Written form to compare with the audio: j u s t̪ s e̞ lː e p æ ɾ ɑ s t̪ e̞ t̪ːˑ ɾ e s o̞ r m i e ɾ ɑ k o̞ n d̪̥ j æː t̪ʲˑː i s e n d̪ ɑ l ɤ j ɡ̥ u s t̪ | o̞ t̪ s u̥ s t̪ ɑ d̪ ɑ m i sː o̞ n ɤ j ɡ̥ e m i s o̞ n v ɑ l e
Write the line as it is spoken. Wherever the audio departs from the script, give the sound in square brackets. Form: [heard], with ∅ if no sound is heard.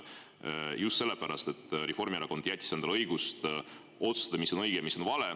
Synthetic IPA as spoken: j u s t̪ s e̞ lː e p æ ɾ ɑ s t̪ e̞ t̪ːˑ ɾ e [f] o̞ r m i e ɾ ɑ k o̞ n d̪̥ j [æ] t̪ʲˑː i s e n d̪ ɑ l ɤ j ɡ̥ u s t̪ | o̞ t̪ s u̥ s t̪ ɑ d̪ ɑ m i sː o̞ n ɤ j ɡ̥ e m i s o̞ n v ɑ l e